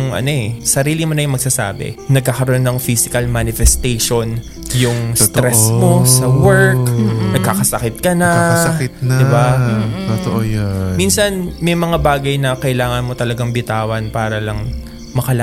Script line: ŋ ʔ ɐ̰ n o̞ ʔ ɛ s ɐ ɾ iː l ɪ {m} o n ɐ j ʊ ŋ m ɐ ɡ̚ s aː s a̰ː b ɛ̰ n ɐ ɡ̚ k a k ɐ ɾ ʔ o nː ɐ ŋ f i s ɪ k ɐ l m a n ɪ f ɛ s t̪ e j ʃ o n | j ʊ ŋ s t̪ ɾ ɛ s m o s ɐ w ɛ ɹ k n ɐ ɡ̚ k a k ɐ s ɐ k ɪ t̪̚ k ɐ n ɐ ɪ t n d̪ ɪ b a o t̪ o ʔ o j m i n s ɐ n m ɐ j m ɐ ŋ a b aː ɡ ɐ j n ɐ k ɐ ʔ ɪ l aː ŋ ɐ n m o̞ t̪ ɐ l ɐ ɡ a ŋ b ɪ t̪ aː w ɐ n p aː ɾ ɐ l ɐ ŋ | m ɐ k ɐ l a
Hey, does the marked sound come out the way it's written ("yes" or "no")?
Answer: yes